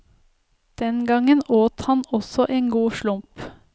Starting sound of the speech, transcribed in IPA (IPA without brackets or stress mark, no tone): d̪̥